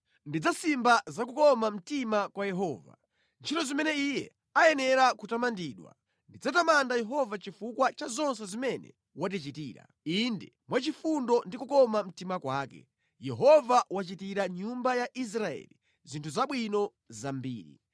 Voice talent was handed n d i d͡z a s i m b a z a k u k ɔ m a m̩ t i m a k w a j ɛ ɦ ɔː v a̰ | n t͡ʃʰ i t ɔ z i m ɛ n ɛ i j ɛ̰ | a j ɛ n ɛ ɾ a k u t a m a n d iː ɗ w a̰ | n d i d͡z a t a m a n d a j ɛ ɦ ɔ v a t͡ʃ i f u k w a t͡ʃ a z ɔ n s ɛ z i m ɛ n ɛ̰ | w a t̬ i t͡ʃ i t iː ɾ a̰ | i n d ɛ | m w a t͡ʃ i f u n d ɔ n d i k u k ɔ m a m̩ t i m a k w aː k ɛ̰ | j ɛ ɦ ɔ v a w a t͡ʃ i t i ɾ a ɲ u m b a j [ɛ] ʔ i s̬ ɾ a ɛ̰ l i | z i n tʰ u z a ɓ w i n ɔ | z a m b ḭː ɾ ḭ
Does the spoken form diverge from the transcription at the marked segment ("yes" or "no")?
yes